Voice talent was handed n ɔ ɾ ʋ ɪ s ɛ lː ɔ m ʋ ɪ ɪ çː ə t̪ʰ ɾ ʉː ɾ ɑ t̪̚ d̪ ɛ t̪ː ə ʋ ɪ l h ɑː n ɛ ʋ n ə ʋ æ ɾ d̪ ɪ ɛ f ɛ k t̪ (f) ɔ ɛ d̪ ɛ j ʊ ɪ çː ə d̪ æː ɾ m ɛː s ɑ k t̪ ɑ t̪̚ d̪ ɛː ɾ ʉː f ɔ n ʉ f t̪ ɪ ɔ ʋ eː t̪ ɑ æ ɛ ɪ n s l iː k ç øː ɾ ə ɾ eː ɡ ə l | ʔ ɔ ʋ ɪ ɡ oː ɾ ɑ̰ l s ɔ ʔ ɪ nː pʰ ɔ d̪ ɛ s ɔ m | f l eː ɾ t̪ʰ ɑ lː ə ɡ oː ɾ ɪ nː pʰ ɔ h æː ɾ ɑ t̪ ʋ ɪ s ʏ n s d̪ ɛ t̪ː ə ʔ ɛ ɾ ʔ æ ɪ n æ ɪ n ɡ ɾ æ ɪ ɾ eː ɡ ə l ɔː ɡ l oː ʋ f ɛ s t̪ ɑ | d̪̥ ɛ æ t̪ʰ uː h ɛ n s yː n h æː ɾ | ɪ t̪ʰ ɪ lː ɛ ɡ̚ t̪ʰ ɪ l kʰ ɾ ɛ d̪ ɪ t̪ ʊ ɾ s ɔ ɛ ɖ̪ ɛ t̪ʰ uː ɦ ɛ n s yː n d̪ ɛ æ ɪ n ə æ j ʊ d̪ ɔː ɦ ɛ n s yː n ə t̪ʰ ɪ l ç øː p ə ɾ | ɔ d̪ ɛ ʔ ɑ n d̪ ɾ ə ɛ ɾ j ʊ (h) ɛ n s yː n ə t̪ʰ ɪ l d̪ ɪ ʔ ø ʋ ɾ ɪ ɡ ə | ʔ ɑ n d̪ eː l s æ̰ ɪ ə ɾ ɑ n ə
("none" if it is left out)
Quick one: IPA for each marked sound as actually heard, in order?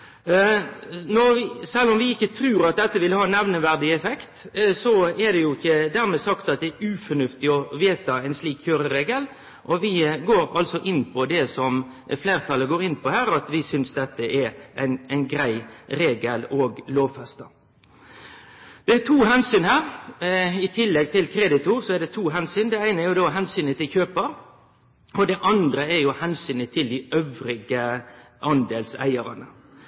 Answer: s, h

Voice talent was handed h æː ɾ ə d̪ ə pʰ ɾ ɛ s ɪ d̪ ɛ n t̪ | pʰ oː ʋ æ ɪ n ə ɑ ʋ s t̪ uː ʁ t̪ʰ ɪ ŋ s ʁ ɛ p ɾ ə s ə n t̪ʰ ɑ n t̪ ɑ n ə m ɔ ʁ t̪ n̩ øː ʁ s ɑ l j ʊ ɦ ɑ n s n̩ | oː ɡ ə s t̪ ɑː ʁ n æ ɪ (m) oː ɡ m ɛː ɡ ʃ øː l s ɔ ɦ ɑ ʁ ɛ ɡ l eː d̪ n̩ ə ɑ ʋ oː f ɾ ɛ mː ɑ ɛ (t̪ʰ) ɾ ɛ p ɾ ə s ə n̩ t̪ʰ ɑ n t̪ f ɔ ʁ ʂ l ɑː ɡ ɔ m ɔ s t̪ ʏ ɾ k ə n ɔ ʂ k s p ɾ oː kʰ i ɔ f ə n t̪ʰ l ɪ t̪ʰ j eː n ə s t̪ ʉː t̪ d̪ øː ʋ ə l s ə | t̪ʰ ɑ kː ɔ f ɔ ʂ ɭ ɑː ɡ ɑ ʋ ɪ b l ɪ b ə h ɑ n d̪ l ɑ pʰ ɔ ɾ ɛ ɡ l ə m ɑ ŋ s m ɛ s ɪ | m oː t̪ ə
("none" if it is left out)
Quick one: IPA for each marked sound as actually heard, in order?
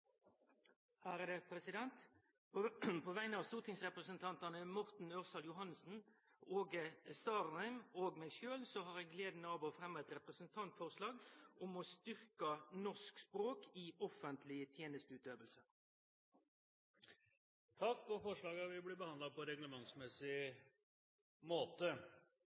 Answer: m, t̪

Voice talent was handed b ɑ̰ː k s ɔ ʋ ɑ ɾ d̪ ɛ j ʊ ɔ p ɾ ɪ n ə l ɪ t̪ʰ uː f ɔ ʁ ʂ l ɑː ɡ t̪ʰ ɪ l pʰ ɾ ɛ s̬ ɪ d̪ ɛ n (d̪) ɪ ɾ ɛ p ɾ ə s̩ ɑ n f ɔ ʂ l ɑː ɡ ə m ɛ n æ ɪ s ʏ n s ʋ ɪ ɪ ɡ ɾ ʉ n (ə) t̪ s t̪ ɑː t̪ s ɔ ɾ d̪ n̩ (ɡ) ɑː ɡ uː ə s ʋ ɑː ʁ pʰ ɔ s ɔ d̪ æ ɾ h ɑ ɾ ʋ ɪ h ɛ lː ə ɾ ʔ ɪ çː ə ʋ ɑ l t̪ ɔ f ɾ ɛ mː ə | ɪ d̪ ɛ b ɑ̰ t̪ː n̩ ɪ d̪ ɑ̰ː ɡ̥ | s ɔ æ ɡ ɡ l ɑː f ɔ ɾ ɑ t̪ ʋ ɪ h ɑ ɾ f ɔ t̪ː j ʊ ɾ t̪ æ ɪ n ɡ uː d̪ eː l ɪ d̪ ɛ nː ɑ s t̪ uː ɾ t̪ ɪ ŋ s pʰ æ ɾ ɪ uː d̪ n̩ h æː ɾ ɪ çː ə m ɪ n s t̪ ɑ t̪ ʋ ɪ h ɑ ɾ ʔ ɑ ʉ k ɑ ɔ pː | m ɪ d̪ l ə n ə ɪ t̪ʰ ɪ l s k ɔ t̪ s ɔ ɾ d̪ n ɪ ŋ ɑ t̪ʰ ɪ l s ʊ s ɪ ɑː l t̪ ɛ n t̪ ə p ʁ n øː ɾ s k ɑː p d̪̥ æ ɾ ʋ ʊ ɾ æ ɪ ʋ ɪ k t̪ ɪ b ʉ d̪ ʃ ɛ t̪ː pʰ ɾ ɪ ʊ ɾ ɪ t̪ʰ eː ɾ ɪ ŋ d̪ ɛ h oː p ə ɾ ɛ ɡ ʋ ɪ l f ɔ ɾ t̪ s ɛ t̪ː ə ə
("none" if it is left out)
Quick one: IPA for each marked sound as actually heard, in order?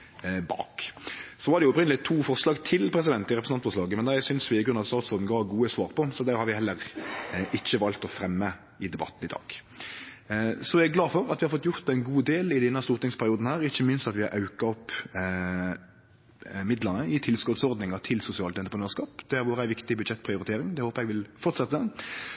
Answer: t̪, ɑ, ɡ

